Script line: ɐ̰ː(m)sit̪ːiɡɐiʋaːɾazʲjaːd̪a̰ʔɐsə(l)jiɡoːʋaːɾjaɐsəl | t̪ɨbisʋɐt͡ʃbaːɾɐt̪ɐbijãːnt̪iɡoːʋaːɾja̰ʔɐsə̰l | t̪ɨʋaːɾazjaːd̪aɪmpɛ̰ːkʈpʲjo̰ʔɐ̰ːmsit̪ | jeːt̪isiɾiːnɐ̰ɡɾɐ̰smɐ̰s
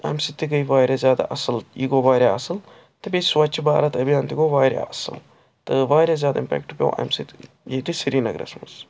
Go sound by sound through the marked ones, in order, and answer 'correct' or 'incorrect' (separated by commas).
correct, correct